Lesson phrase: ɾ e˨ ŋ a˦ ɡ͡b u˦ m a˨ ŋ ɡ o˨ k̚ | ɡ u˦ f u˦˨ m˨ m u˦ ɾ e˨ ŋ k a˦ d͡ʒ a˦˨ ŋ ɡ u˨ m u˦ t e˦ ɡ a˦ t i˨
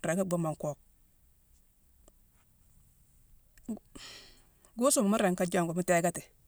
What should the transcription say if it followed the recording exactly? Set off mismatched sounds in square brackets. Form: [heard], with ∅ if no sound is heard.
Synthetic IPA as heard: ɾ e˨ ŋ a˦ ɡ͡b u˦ m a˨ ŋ [k] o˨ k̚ | ɡ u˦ [s] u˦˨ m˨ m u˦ ɾ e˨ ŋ k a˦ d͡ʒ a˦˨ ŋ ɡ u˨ m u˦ t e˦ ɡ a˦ t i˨